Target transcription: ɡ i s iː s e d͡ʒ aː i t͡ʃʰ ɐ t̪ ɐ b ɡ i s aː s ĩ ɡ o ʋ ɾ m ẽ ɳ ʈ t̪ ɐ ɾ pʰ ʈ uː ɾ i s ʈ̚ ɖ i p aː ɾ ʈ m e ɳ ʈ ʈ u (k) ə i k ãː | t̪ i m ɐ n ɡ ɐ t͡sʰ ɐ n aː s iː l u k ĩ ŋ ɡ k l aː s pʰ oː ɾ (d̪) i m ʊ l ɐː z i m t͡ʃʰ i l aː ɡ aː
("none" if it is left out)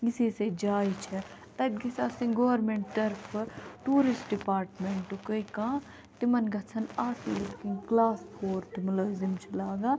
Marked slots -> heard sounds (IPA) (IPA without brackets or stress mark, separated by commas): k, t̪